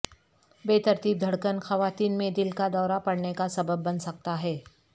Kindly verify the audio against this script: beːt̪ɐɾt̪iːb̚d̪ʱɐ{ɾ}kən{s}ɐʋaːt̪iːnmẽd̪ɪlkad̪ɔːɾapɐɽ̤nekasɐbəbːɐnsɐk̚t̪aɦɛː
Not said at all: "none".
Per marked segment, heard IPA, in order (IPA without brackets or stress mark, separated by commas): ɽ, x